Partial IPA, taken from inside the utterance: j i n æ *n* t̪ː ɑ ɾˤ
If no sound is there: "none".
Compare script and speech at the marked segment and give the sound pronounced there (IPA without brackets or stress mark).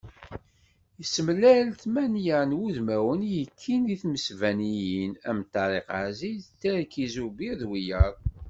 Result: m